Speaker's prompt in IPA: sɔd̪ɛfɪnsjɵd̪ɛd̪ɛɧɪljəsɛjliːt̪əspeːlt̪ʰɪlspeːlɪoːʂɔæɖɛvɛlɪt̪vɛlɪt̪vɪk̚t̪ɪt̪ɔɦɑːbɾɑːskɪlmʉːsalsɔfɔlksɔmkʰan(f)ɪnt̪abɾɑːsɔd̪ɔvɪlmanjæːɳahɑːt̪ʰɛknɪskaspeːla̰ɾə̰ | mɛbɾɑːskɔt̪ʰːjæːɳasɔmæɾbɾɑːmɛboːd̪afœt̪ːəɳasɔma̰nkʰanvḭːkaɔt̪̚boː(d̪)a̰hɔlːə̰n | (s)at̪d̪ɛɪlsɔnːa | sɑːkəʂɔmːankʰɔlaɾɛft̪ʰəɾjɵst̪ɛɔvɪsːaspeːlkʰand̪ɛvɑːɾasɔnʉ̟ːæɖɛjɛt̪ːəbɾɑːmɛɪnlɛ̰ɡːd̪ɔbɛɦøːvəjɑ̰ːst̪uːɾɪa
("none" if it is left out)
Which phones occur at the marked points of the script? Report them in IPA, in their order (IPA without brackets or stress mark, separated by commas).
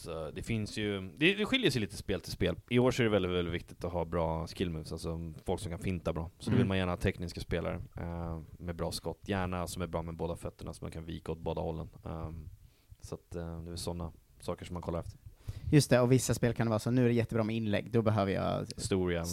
f, d̪, s